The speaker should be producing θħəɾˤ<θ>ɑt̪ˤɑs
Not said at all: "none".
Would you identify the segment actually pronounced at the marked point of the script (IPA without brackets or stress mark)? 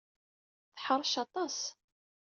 ʃ